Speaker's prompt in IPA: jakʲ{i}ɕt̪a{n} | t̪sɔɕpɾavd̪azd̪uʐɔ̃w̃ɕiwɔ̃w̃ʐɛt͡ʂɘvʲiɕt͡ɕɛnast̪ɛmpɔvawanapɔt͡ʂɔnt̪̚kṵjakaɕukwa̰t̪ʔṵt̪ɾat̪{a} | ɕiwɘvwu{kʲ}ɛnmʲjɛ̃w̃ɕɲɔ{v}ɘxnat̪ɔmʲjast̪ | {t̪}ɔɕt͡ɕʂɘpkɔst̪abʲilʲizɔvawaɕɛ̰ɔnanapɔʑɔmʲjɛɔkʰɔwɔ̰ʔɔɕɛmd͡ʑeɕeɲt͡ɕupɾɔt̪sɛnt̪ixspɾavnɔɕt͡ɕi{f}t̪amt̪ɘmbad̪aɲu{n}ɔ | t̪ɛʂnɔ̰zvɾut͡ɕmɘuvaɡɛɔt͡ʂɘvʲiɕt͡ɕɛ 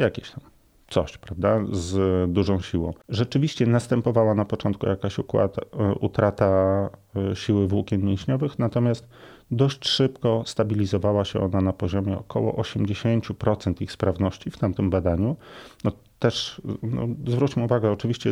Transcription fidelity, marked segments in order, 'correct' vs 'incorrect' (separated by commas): incorrect, incorrect, correct, correct, correct, incorrect, correct, correct